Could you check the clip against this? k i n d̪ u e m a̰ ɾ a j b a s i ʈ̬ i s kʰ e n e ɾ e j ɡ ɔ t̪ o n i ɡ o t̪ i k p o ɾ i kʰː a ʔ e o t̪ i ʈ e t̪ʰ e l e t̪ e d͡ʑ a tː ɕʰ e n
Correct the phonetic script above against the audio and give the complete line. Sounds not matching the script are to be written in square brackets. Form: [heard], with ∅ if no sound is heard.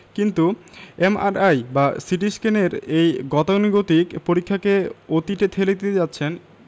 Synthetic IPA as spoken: k i n [t̪] u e m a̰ ɾ a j b a s i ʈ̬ i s [k] e n e ɾ e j ɡ ɔ t̪ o n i ɡ o t̪ i k p o ɾ i kʰː a [k] e o t̪ i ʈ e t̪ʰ e l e t̪ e d͡ʑ a tː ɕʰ e n